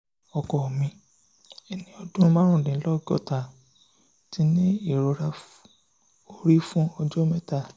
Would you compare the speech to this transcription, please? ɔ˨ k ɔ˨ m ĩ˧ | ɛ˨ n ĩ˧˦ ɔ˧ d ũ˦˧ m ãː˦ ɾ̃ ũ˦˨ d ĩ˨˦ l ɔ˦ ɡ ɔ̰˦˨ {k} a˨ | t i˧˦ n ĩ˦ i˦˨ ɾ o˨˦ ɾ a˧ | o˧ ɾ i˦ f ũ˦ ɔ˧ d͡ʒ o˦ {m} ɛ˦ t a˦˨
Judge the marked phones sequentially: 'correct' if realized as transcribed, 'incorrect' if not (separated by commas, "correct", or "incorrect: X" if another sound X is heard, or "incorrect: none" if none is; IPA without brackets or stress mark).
incorrect: t, correct